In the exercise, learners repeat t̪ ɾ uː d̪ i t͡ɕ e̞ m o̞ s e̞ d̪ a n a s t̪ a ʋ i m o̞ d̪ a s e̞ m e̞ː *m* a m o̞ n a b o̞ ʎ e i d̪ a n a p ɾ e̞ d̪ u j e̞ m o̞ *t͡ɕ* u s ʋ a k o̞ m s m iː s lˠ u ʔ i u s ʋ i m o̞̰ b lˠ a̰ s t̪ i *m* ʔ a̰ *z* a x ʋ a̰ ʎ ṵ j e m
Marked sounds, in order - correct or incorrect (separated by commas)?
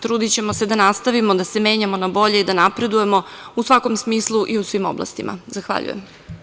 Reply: incorrect, incorrect, correct, correct